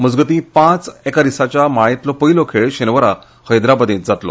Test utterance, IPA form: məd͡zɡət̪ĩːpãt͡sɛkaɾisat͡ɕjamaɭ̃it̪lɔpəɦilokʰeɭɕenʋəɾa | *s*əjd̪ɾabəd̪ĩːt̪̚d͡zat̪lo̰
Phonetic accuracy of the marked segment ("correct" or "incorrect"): incorrect